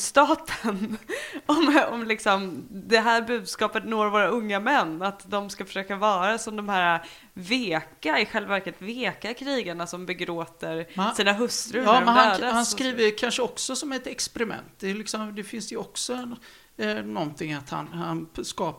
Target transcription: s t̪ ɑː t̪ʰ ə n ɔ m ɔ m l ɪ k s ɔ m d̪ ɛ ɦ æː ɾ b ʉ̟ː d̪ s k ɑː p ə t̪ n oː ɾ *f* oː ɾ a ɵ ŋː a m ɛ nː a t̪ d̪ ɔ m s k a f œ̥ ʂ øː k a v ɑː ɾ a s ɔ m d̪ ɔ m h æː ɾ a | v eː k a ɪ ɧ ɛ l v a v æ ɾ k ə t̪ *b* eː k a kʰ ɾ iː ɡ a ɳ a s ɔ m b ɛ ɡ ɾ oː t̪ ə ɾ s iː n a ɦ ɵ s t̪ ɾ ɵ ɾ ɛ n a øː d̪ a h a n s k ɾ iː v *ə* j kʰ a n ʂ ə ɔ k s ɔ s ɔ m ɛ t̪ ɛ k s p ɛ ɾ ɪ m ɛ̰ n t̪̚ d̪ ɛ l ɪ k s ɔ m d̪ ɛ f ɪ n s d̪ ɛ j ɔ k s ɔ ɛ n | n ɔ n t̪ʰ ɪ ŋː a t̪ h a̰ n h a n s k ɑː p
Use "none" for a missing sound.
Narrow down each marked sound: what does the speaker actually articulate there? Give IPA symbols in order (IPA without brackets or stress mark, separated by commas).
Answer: v, v, ə